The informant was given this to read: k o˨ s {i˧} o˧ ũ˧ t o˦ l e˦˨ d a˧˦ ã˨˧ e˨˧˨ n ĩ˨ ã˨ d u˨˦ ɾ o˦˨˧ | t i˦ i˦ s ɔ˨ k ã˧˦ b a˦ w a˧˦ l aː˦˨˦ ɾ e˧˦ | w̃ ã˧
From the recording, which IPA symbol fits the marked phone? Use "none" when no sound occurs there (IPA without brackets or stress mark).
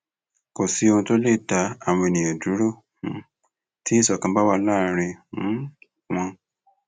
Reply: i˧